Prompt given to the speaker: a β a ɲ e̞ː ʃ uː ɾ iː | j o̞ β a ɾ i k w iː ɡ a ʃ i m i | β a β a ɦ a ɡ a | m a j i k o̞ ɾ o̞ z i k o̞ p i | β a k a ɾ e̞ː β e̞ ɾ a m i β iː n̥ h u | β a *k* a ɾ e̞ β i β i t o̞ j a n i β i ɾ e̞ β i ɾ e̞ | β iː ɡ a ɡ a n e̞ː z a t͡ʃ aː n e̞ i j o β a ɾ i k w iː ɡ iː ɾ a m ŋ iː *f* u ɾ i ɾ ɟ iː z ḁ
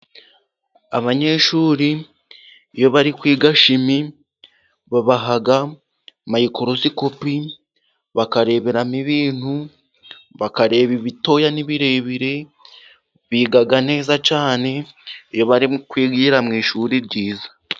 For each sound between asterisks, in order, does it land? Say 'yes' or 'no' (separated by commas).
yes, no